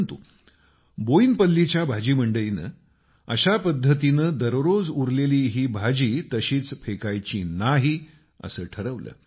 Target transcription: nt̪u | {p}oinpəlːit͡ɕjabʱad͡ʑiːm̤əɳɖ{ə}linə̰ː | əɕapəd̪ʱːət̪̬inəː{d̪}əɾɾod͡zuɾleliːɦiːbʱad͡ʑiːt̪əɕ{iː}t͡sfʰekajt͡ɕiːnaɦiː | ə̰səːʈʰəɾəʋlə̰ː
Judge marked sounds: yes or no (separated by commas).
no, yes, yes, yes